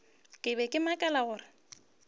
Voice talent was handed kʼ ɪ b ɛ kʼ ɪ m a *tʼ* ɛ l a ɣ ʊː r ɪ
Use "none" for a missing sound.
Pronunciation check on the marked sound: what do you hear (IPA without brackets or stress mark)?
kʼ